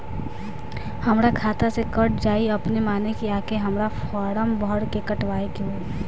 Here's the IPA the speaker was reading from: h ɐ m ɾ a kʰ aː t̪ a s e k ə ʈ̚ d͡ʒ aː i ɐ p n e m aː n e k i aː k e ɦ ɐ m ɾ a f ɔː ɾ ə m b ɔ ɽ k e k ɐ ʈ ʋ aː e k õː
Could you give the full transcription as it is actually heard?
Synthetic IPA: h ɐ m ɾ a kʰ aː t̪ a s e k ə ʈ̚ d͡ʒ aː i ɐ p n e m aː n e k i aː k e ɦ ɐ m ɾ a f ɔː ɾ ə m b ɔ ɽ k e k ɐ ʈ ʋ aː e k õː

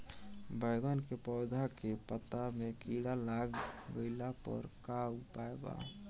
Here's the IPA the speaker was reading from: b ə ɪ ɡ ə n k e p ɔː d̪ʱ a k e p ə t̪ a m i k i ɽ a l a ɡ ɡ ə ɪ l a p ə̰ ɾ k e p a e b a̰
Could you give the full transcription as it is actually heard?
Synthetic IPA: b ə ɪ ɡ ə n k e p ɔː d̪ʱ a k e p ə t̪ a m e k i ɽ a l a ɡ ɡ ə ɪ l a p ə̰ ɾ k a p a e b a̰

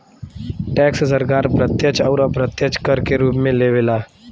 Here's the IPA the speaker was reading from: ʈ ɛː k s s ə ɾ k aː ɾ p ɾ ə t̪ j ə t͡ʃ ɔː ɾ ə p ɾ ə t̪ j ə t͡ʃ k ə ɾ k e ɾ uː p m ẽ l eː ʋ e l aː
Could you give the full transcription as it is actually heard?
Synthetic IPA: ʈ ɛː k s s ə ɾ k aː ɾ p ɾ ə t̪ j ə t͡ʃ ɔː ɾ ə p ɾ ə t̪ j ə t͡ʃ k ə ɾ k e ɾ uː p m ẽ l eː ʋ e l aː

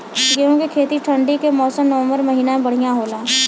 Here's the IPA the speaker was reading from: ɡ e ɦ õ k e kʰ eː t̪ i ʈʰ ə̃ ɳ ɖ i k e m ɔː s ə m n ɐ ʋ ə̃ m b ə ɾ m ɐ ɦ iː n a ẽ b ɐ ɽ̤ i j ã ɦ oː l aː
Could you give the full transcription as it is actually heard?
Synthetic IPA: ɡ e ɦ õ k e kʰ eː t̪ i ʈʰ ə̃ ɳ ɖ i k e m ɔː s ə m n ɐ ʋ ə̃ m b ə ɾ m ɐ ɦ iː n a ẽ b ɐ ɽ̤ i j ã ɦ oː l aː

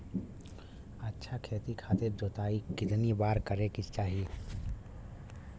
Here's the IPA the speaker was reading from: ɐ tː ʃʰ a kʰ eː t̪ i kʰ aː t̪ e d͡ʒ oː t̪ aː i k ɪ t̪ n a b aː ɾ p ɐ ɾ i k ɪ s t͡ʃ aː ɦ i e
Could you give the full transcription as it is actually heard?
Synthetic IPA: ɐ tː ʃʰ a kʰ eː t̪ i kʰ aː t̪ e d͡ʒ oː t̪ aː i k ɪ t̪ n i b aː ɾ k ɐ ɾ e k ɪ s t͡ʃ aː ɦ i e

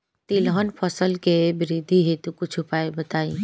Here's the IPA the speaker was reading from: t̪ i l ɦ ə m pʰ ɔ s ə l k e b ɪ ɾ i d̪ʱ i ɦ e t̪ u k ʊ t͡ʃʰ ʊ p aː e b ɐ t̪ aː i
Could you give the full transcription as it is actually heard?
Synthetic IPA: t̪ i l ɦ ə n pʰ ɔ s ə l k e b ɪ ɾ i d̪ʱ i ɦ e t̪ u k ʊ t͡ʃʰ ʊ p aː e b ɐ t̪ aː i

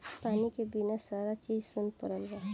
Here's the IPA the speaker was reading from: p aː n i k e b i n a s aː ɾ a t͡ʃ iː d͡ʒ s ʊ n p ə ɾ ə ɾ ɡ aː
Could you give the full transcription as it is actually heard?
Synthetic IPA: p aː n i k e b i n a s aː ɾ a t͡ʃ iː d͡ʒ s ʊ n p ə ɾ ə l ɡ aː

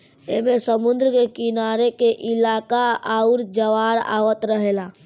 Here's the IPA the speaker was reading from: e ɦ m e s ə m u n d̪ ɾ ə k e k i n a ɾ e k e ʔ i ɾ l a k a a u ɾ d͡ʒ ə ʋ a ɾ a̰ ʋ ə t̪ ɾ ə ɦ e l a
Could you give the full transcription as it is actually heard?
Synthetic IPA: e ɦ m e s ə m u n d̪ ɾ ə k e k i n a ɾ e k e ʔ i l a k a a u ɾ d͡ʒ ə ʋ a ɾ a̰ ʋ ə t̪ ɾ ə ɦ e l a

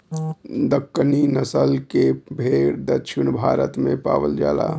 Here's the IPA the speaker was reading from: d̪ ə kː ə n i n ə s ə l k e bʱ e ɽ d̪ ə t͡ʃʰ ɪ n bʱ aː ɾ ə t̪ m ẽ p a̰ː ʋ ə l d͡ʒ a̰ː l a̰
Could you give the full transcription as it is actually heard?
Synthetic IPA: d̪ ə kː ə n i n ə s ə l k e bʱ e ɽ d̪ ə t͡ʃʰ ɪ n bʱ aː ɾ ə t̪ m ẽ p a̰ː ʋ ə l d͡ʒ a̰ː l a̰

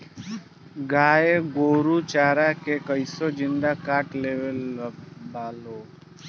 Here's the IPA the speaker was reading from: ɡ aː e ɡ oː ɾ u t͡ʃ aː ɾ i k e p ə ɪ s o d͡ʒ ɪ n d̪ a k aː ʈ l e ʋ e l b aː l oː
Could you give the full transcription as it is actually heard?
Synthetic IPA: ɡ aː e ɡ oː ɾ u t͡ʃ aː ɾ a k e k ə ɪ s o d͡ʒ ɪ n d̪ a k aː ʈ l e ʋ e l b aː l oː

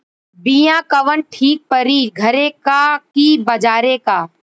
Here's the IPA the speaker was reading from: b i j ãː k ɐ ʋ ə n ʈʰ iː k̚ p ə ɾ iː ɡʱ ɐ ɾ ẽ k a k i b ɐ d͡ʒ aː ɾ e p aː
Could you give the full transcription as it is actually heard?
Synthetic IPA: b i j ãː k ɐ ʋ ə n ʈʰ iː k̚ p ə ɾ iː ɡʱ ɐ ɾ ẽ k a k i b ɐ d͡ʒ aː ɾ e k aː

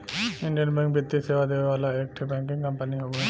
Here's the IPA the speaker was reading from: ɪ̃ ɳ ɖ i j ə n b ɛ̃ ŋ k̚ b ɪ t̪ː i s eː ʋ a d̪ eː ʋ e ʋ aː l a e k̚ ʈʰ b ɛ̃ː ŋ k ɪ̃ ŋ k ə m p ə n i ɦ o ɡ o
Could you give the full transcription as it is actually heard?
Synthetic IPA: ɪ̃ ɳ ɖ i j ə n b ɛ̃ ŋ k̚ b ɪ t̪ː i s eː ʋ a d̪ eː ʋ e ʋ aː l a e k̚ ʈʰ b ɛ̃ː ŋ k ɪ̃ ŋ k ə m p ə n i ɦ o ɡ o

